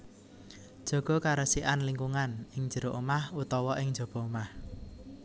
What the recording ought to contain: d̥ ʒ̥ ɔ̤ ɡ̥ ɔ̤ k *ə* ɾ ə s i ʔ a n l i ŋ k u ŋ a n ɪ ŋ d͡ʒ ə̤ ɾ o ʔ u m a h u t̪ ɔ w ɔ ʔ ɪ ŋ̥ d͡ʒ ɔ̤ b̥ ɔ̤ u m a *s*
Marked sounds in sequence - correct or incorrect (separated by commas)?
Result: incorrect, incorrect